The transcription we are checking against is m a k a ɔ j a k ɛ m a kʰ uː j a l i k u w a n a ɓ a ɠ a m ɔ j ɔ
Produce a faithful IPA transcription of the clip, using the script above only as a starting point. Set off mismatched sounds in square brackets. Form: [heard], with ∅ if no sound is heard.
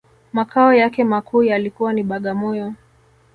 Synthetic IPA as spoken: m a k a ɔ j a k ɛ m a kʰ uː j a l i k u w a n [i] ɓ a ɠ a m ɔ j ɔ